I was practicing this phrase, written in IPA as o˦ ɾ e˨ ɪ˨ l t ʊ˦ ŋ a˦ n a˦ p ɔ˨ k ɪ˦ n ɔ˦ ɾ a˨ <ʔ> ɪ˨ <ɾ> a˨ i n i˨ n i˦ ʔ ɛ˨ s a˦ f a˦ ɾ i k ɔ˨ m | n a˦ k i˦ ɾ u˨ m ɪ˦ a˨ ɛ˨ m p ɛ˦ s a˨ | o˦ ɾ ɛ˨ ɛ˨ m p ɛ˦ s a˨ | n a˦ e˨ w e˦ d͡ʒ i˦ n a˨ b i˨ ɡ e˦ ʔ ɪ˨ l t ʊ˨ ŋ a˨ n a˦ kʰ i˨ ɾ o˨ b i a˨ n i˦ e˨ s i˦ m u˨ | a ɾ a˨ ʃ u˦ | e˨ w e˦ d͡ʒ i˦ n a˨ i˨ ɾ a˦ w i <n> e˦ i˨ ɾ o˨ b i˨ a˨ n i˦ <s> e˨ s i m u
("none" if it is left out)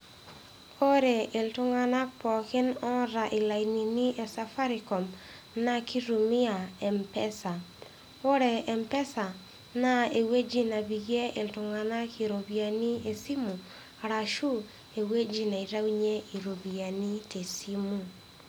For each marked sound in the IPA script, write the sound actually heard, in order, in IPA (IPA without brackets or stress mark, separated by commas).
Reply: ʔ, l, ɲ, t